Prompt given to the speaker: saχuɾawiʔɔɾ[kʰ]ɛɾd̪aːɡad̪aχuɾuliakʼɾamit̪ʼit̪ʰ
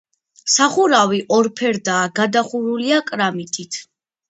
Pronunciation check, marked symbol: incorrect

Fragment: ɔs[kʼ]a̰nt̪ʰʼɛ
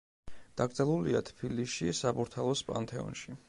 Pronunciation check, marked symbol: incorrect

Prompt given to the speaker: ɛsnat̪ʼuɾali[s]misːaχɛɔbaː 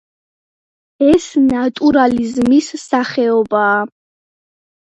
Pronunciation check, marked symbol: incorrect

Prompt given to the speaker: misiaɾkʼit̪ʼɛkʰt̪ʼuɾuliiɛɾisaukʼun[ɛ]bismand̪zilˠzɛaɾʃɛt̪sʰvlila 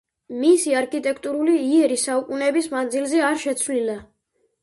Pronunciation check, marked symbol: correct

